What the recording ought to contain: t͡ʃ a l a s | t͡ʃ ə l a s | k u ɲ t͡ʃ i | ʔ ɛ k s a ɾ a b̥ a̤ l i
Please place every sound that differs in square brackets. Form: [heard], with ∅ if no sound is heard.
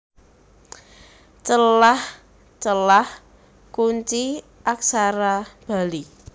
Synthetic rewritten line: t͡ʃ [ə] l a [h] | t͡ʃ ə l a [h] | k u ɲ t͡ʃ i | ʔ [a] k s a ɾ a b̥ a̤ l i